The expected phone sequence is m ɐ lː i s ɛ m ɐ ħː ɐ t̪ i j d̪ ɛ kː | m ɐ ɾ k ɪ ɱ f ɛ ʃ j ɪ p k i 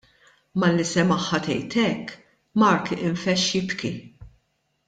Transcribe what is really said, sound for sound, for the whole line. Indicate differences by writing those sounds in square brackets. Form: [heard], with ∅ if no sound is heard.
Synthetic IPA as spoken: m ɐ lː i s ɛ m ɐ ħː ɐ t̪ [ɛ] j [t̪] ɛ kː | m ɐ ɾ k ɪ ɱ f ɛ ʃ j ɪ p k i